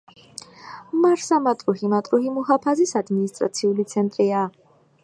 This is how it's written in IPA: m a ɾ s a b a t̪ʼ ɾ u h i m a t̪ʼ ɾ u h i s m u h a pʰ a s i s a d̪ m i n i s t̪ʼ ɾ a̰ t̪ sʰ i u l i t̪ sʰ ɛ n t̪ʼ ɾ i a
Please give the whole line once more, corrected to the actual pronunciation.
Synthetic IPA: m a ɾ s a m a t̪ʼ ɾ u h i m a t̪ʼ ɾ u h i m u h a pʰ a z i s a d̪ m i n i s t̪ʼ ɾ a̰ t̪ sʰ i u l i t̪ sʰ ɛ n t̪ʼ ɾ i a